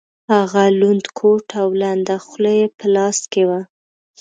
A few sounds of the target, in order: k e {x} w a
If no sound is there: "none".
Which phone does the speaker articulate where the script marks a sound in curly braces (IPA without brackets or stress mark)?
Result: none